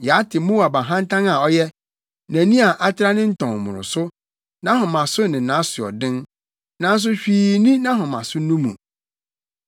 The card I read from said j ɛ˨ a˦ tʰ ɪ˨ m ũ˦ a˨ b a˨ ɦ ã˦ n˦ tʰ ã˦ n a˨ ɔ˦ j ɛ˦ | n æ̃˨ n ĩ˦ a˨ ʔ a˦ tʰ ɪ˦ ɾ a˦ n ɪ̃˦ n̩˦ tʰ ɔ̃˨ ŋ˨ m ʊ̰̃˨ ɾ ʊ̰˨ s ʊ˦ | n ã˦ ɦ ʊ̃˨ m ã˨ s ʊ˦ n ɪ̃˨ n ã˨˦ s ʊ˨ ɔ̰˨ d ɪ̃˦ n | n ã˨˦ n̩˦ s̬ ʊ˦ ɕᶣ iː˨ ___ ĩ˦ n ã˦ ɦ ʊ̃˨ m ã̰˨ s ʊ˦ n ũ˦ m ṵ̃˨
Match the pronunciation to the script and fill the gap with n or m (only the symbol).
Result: n